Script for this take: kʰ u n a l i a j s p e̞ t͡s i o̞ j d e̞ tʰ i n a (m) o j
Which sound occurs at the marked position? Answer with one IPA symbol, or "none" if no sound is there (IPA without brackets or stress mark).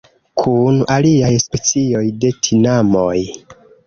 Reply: m